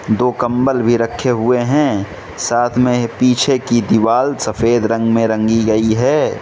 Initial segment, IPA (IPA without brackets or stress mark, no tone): d̪